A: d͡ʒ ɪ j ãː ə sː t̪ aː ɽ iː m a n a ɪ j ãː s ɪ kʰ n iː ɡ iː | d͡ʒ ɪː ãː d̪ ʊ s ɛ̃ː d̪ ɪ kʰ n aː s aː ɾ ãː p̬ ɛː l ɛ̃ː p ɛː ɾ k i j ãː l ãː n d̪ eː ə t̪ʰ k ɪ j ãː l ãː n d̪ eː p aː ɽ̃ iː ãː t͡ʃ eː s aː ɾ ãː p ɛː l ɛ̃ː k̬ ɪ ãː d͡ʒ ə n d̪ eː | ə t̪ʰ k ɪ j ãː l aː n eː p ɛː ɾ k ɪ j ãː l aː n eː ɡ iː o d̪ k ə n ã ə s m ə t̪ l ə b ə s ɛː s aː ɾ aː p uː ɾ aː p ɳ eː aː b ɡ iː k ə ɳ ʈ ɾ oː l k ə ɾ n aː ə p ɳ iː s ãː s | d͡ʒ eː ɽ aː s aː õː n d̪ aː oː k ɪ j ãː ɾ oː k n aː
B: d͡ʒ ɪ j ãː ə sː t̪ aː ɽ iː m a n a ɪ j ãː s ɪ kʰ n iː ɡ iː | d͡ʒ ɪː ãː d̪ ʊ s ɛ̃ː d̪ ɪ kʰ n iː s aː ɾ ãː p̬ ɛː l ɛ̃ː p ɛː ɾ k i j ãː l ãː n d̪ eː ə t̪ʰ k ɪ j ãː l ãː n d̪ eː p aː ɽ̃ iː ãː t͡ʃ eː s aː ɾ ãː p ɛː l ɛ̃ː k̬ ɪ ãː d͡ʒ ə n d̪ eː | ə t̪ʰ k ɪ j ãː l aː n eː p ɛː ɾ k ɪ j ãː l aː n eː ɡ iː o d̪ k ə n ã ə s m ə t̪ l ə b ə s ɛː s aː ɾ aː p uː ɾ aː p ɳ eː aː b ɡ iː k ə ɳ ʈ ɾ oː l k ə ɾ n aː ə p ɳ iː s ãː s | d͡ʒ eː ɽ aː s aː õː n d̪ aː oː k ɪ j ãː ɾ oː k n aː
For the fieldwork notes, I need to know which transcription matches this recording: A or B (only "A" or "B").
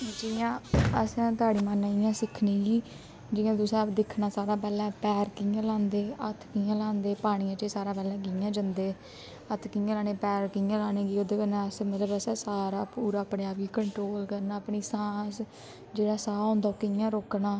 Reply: A